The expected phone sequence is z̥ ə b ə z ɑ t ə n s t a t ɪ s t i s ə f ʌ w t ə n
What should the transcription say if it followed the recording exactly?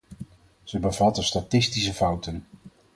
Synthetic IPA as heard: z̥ ə b ə v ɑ t ə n s t a t ɪ s t i s ə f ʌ w t ə n